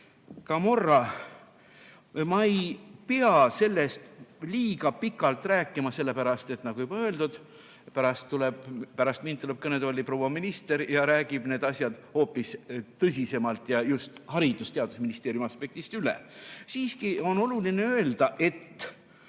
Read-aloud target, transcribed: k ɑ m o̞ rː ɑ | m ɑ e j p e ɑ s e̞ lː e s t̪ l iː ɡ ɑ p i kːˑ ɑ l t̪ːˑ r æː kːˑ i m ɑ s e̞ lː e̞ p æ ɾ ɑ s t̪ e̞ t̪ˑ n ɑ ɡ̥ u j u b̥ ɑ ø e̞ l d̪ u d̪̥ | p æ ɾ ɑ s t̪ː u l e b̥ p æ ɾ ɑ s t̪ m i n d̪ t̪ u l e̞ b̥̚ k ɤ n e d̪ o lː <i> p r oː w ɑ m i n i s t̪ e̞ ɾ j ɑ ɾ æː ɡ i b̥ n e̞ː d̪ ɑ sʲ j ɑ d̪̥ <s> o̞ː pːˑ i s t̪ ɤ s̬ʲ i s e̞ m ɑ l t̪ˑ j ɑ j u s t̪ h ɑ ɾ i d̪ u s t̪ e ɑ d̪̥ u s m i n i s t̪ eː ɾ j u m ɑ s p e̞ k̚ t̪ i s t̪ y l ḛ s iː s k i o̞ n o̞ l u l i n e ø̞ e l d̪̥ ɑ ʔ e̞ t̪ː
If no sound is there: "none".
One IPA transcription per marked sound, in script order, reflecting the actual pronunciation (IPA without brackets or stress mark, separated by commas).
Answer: i, h